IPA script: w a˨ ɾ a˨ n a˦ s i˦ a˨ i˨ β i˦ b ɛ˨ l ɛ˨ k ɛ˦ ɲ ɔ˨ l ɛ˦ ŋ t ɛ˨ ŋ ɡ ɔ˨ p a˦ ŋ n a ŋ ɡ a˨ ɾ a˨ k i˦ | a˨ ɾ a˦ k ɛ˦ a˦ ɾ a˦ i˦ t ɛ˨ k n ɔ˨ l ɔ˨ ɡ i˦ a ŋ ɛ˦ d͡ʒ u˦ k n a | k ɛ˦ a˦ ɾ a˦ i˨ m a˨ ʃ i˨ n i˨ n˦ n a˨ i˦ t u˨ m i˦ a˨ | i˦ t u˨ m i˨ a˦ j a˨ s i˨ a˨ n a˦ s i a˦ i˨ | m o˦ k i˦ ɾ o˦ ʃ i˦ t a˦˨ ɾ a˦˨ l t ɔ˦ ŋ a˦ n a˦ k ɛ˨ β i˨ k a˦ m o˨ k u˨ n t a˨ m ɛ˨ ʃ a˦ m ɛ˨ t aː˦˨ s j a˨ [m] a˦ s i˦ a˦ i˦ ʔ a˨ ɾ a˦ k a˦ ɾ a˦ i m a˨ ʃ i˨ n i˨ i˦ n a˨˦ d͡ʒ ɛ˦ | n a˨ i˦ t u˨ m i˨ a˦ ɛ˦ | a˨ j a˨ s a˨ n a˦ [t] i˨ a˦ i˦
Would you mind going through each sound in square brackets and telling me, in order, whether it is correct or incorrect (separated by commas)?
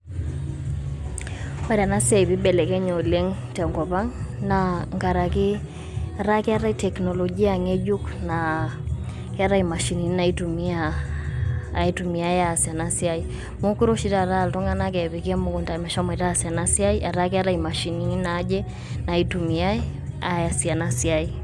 incorrect, incorrect